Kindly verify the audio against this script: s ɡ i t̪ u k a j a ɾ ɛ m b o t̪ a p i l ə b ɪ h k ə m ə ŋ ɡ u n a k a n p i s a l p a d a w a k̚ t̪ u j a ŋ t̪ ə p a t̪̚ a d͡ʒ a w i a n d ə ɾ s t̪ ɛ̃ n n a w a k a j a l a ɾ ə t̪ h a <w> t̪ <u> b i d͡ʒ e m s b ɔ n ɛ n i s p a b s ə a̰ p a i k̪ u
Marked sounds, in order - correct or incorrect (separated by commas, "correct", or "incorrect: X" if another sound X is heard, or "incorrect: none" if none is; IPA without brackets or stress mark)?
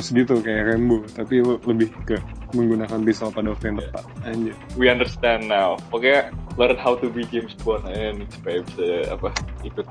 correct, correct